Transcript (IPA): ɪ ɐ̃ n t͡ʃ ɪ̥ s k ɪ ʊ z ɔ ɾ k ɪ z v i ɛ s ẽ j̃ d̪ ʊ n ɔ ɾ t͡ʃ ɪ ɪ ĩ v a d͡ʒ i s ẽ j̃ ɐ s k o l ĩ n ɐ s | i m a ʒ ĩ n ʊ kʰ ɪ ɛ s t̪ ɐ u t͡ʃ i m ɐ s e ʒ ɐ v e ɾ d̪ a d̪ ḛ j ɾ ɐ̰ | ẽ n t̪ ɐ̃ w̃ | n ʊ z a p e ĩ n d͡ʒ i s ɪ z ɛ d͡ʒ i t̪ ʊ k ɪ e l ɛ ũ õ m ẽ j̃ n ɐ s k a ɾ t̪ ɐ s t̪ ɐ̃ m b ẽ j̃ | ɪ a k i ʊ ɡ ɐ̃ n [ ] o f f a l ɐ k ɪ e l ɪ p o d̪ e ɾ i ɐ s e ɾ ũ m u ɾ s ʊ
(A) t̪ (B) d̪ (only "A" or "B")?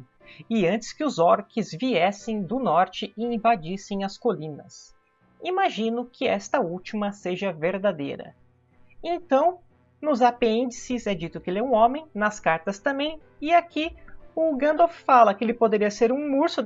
B